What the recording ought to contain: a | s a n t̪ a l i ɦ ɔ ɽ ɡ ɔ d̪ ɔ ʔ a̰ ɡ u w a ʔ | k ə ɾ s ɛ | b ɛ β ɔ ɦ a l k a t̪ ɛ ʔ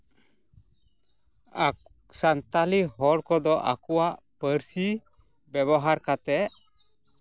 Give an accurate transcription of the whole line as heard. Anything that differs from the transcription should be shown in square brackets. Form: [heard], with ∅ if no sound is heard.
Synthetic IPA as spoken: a | s a n t̪ a l i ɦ ɔ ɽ [k] ɔ d̪ ɔ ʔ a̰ [k] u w a ʔ | [p] ə ɾ s [i] | b ɛ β ɔ ɦ a [ɾ] k a t̪ ɛ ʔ

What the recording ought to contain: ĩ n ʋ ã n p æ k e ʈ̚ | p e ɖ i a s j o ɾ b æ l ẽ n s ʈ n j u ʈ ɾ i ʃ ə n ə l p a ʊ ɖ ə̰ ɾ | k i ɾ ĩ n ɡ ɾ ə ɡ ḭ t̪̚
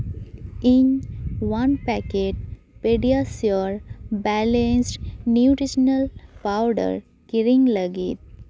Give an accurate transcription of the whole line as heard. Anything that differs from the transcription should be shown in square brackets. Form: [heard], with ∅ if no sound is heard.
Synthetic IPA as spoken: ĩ n ʋ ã n p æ k e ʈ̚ | p e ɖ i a s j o ɾ b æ l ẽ n s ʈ n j u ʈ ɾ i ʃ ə n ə l p a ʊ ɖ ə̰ ɾ | k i ɾ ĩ [ŋ] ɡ [l] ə ɡ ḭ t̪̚

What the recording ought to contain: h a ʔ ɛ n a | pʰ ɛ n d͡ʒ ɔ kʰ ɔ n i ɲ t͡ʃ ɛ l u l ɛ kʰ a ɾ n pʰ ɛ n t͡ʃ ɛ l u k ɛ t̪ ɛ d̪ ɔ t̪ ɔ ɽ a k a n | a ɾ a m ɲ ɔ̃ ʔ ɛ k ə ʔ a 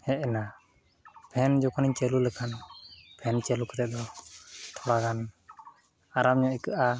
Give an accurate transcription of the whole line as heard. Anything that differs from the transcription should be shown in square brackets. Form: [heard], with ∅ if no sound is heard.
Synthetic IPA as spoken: h [ɛ] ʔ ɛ n a | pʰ ɛ n d͡ʒ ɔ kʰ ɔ n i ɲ t͡ʃ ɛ l u l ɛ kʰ a [∅] n pʰ ɛ n t͡ʃ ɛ l u k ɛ t̪ ɛ d̪ ɔ [t̪ʰ] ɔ ɽ a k a n | a ɾ a m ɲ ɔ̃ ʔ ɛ k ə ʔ a

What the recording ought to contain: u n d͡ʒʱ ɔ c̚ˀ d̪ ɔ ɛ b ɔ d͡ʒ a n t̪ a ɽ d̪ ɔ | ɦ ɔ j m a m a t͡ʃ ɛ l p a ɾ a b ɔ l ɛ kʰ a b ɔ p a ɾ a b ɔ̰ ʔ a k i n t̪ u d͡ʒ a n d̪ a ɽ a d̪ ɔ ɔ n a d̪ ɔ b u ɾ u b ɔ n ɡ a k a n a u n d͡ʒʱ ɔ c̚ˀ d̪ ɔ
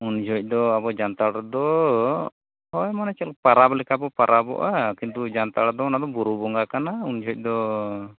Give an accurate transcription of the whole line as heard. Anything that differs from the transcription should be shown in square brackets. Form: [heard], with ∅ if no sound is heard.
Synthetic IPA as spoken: u n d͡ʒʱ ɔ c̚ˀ d̪ ɔ [a] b ɔ d͡ʒ a n t̪ a ɽ d̪ ɔ | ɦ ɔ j m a [n] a t͡ʃ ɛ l p a ɾ a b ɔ l ɛ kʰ a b ɔ p a ɾ a b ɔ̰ ʔ a k i n t̪ u d͡ʒ a n [t̪] a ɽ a d̪ ɔ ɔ n a d̪ ɔ b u ɾ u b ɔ [ŋ] ɡ a k a n a u n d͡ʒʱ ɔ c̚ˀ d̪ ɔ

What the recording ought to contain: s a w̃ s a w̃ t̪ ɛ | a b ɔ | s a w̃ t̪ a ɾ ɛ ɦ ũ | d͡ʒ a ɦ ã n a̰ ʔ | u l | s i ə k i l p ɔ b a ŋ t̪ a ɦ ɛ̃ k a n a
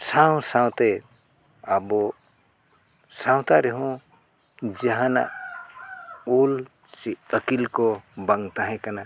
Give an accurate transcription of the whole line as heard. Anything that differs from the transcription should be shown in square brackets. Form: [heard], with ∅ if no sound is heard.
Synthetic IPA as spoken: s a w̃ s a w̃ t̪ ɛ | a b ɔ | s a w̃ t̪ a ɾ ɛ ɦ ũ | d͡ʒ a ɦ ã n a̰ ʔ | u l | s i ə k i l [k] ɔ b a ŋ t̪ a ɦ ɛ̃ k a n a

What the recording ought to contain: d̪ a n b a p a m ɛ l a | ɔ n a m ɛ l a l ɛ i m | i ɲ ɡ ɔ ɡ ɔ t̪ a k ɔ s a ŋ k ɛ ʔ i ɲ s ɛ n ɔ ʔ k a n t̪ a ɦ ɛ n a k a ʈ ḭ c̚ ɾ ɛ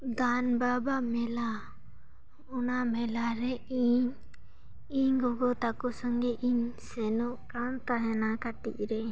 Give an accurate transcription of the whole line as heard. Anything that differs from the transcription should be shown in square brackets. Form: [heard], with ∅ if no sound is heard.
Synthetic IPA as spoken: d̪ a n b a [b] a m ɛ l a | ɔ n a m ɛ l a [ɾ] ɛ i [ɲ] | i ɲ ɡ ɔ ɡ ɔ t̪ a k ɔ s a ŋ [ɡ] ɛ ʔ i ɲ s ɛ n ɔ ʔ k a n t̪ a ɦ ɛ n a k a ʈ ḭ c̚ ɾ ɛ

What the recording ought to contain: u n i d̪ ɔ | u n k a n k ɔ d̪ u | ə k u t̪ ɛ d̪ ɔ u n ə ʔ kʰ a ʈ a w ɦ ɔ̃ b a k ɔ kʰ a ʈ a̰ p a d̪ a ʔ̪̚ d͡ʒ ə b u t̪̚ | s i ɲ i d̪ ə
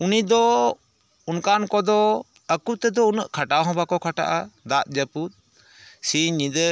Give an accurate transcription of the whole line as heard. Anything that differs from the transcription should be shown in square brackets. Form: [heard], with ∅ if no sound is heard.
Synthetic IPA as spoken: u n i d̪ ɔ | u n k a n k ɔ d̪ [ɔ] | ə k u t̪ ɛ d̪ ɔ u n ə ʔ kʰ a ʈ a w ɦ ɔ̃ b a k ɔ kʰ a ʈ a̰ [ʔ] a d̪ a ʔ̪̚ d͡ʒ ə [p] u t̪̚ | s i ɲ i d̪ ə

